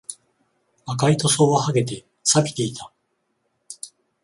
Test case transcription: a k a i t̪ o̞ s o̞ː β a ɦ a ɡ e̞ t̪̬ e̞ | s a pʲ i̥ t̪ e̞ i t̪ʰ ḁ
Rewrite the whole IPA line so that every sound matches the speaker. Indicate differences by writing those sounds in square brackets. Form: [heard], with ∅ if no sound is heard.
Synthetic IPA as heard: a k a i t̪ o̞ s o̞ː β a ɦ a ɡ e̞ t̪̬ e̞ | s a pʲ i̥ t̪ e̞ i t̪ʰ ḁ